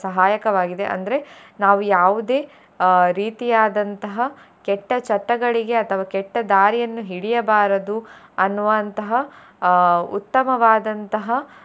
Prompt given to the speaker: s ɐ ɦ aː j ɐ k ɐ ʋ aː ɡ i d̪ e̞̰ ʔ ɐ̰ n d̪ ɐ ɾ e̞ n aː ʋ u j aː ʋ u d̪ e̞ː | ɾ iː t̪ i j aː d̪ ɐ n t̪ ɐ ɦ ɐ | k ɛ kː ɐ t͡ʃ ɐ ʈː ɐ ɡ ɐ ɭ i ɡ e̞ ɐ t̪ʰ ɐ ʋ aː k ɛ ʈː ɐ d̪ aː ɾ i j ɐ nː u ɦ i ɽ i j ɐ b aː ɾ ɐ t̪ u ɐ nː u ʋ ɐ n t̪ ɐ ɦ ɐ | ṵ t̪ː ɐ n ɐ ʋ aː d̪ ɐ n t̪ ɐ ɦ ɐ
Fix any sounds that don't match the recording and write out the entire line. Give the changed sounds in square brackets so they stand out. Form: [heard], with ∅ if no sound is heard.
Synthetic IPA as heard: s ɐ ɦ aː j ɐ k ɐ ʋ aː ɡ i d̪ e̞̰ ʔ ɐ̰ n d̪ ɐ ɾ e̞ n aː ʋ u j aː ʋ u d̪ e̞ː | ɾ iː t̪ i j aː d̪ ɐ n t̪ ɐ ɦ ɐ | k ɛ [ʈː] ɐ t͡ʃ ɐ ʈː ɐ ɡ ɐ ɭ i ɡ e̞ ɐ t̪ʰ ɐ ʋ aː k ɛ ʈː ɐ d̪ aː ɾ i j ɐ nː u ɦ i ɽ i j ɐ b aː ɾ ɐ [d̪] u ɐ nː u ʋ ɐ n t̪ ɐ ɦ ɐ | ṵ t̪ː ɐ [m] ɐ ʋ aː d̪ ɐ n t̪ ɐ ɦ ɐ